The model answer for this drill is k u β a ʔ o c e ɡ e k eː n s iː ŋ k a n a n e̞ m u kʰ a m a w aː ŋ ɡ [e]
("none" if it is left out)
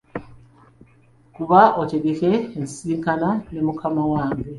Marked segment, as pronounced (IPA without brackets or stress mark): e